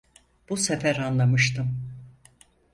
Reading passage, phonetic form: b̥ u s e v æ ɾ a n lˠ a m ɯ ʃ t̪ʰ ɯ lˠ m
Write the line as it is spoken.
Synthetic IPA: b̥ u s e f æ ɾ a n lˠ a m ɯ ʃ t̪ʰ ɯ m